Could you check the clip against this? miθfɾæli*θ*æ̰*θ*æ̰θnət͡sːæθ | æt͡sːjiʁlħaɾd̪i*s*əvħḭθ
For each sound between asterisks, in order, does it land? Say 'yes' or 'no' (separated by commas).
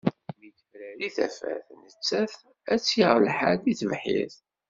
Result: yes, no, no